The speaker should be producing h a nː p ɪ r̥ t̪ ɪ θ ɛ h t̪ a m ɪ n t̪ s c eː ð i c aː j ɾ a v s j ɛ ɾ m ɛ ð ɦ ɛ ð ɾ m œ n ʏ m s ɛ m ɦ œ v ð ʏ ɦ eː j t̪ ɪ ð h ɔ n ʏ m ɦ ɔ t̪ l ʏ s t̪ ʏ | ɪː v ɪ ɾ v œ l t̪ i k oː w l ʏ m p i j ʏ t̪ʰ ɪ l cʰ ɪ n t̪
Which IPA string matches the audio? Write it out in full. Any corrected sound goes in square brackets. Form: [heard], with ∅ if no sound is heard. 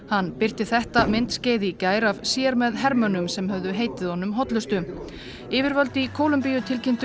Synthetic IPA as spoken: h a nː p ɪ r̥ t̪ ɪ θ ɛ h t̪ a m ɪ n t̪ s c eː ð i c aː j ɾ a v s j ɛ ɾ m ɛ ð ɦ ɛ [∅] ɾ m œ n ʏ m s ɛ m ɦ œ v ð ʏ ɦ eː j t̪ ɪ ð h ɔ n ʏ m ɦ ɔ t̪ l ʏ s t̪ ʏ | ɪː v ɪ ɾ v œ l t̪ i [kʰ] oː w l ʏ m p i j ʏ t̪ʰ ɪ l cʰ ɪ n t̪